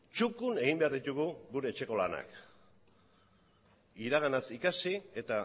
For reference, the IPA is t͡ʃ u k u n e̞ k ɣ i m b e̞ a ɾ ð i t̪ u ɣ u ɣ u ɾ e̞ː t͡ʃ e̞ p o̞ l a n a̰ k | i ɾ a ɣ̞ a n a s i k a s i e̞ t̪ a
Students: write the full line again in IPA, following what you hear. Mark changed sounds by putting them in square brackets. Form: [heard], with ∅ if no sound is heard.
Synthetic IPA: t͡ʃ u k u n e̞ [∅] ɣ i m b e̞ a ɾ ð i t̪ u ɣ u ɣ u ɾ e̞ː t͡ʃ e̞ [k] o̞ l a n a̰ k | i ɾ a ɣ̞ a n a s i k a s i e̞ t̪ a